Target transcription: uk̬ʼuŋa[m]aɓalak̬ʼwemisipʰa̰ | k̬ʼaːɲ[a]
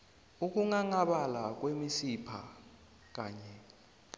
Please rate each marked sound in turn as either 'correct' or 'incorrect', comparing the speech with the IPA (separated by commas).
incorrect, incorrect